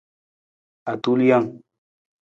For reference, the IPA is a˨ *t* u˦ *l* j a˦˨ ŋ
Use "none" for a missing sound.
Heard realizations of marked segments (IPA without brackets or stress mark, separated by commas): t, l